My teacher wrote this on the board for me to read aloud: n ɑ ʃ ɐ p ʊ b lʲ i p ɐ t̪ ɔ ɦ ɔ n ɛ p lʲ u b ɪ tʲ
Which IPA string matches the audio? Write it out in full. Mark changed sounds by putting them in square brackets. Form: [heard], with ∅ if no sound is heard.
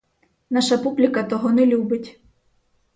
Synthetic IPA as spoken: n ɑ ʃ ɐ p [u] b lʲ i [k] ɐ t̪ ɔ ɦ ɔ n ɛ [∅] lʲ u b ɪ tʲ